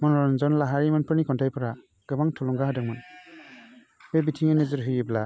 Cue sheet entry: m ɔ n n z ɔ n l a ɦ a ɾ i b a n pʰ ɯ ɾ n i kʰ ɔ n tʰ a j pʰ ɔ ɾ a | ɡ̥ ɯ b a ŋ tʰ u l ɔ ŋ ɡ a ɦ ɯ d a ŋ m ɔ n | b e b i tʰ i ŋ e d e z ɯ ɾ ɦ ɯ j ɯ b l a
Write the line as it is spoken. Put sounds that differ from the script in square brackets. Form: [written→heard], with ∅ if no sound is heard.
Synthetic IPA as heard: m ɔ n n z ɔ n l a ɦ a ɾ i [b→m] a n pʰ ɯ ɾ n i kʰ ɔ n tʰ a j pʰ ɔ ɾ a | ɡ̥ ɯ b a ŋ tʰ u l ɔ ŋ ɡ a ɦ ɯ d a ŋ m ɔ n | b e b i tʰ i ŋ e [d→n] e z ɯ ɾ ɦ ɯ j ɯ b l a